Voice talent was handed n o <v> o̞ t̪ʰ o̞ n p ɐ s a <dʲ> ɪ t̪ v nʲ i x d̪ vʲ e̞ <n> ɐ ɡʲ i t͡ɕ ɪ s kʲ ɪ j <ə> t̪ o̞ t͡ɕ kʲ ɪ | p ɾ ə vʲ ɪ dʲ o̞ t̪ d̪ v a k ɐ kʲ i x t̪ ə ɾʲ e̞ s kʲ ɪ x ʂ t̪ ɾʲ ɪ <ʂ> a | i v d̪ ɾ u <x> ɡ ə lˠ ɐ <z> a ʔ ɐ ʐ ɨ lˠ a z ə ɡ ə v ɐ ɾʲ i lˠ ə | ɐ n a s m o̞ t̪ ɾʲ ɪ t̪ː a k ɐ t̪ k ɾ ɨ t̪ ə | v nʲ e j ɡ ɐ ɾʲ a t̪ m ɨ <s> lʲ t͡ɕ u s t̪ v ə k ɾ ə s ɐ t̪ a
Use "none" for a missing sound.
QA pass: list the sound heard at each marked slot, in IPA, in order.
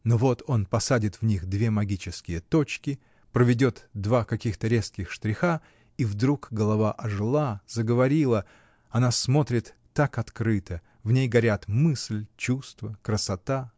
v, dʲ, m, ə, x, k, v, s

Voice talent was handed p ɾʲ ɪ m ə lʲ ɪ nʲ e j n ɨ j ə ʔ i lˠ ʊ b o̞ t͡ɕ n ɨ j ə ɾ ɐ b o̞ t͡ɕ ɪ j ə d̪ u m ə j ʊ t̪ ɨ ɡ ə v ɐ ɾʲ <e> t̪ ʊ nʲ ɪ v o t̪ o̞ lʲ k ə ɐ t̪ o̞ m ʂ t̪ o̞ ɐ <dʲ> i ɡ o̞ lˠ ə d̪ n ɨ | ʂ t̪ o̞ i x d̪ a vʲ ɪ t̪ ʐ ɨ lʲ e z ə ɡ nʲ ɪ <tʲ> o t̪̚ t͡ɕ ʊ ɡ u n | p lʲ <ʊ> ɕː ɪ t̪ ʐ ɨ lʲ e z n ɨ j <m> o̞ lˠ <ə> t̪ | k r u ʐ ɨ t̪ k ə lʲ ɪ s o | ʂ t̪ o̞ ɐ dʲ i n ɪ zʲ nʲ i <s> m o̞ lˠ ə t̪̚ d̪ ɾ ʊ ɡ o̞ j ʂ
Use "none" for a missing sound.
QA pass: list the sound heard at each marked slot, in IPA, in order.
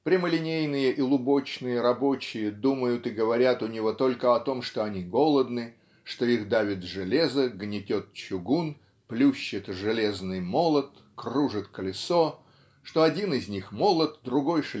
a, nʲ, tʲ, u, m, ə, x

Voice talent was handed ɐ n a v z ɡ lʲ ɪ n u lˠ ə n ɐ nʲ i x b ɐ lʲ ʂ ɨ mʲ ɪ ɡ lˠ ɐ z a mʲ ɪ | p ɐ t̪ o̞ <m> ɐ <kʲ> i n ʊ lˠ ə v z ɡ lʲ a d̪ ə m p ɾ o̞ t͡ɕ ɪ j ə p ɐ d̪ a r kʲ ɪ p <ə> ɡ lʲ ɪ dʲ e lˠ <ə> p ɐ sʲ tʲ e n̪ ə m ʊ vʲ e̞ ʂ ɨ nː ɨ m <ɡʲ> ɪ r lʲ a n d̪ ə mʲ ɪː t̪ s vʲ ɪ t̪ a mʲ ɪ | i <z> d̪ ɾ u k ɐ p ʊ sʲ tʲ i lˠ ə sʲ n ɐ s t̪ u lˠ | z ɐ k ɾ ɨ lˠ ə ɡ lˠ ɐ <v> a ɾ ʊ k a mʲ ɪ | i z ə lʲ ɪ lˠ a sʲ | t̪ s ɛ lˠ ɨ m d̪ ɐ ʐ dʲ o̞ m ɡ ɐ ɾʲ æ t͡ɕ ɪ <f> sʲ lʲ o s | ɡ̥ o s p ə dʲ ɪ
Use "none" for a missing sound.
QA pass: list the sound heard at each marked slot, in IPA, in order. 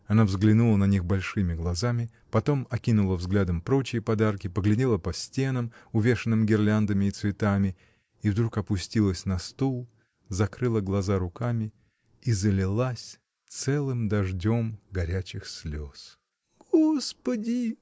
m, kʲ, ə, ə, ɡʲ, v, z, x

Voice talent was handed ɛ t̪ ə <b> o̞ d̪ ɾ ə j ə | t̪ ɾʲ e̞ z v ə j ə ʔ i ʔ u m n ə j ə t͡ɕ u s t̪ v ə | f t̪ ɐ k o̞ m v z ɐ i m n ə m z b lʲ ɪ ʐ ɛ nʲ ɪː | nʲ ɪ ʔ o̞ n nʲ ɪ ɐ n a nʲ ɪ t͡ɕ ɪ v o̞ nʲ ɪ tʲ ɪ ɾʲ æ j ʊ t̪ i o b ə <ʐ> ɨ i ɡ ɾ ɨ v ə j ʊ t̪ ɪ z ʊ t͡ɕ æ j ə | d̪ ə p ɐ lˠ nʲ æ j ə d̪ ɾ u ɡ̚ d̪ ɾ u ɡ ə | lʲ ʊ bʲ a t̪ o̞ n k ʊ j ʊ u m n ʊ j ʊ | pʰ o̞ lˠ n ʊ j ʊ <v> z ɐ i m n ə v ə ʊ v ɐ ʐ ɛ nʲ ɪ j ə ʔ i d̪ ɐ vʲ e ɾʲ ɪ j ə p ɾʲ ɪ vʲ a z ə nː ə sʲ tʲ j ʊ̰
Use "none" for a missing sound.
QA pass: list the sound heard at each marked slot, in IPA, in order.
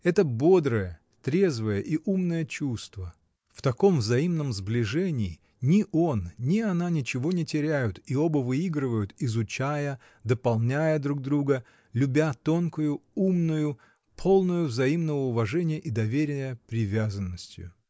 b, v, v

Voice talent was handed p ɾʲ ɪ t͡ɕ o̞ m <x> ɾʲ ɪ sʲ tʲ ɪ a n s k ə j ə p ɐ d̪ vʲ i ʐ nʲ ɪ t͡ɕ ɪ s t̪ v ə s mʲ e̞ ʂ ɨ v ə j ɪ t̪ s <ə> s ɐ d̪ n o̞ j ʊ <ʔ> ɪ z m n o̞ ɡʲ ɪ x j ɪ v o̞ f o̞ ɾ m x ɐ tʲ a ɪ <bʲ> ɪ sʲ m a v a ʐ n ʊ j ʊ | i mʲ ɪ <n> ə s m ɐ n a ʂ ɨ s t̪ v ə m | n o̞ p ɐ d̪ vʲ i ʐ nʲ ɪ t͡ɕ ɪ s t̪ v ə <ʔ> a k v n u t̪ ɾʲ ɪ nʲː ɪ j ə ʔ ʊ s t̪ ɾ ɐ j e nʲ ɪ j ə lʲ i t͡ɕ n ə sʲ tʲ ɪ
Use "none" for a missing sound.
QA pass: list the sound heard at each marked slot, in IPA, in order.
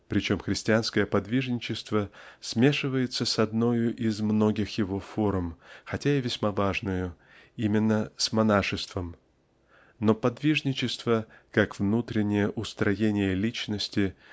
x, ə, ʔ, vʲ, nː, k

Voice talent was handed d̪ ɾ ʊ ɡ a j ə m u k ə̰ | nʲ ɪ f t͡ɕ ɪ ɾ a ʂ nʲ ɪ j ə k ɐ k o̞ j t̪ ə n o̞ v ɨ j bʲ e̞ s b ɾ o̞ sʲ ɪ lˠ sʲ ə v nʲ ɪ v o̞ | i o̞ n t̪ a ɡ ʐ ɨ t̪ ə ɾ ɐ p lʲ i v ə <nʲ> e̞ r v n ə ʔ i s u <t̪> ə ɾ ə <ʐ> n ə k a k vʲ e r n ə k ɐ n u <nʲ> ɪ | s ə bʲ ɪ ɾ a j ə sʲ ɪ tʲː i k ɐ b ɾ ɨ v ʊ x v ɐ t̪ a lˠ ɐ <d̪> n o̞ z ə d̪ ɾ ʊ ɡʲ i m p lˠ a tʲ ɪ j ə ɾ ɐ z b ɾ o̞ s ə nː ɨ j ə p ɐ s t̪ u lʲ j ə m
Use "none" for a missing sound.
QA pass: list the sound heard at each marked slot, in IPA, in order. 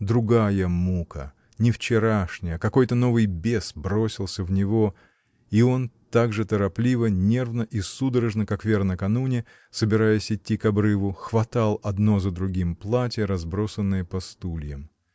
nʲ, d̪, ʐ, nʲ, d̪

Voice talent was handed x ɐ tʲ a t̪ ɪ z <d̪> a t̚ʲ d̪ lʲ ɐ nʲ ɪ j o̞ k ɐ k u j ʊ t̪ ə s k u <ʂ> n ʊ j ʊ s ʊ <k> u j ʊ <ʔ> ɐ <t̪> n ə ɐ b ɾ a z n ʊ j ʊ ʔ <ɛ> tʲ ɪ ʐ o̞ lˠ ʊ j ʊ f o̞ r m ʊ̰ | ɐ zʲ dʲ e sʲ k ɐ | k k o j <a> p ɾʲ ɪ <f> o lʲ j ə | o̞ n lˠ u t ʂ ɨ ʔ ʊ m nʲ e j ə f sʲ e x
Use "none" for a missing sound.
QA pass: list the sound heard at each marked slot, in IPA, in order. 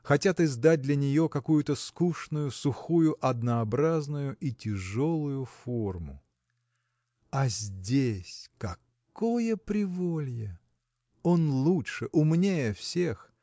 d̪, ʂ, x, ʔ, d̪, i, ə, v

